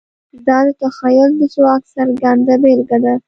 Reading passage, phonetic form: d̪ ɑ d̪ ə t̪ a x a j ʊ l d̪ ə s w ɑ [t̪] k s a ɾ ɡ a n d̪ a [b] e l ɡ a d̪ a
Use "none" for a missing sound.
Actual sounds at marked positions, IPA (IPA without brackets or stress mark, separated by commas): none, b